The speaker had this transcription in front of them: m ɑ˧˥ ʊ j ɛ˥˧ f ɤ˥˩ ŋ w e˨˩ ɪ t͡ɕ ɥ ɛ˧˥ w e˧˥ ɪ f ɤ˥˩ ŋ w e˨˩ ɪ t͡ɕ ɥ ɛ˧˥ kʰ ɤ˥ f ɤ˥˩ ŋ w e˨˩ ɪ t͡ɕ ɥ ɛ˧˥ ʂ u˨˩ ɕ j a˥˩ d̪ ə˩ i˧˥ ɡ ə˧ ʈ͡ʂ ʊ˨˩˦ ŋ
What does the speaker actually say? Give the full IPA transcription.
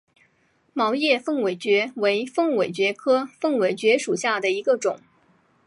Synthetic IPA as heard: m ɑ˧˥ ʊ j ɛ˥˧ f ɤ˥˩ ŋ w e˨˩ ɪ t͡ɕ ɥ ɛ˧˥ w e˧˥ ɪ f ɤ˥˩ ŋ w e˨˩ ɪ t͡ɕ ɥ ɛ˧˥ kʰ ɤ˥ f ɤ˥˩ ŋ w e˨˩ ɪ t͡ɕ ɥ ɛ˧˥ ʂ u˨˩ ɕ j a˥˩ d̪ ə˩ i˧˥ ɡ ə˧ ʈ͡ʂ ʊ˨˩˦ ŋ